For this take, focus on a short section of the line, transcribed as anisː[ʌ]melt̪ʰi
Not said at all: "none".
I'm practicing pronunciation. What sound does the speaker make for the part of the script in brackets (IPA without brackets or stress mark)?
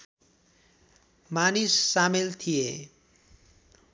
a